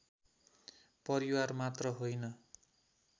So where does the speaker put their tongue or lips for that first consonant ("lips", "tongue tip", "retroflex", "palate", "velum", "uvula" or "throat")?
lips